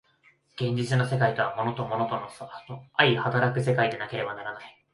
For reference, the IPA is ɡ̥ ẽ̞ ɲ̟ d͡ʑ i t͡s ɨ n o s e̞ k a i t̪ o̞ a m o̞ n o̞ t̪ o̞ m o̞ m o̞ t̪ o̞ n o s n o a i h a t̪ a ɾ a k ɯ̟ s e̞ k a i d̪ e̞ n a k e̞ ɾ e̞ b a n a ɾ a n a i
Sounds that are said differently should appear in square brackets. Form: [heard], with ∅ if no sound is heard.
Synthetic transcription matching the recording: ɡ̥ ẽ̞ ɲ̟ d͡ʑ i t͡s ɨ n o s e̞ k a i t̪ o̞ a m o̞ n o̞ t̪ o̞ m o̞ [n] o̞ t̪ o̞ n o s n o a i h a t̪ a ɾ a k ɯ̟ s e̞ k a i d̪ e̞ n a k e̞ ɾ e̞ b a n a ɾ a n a i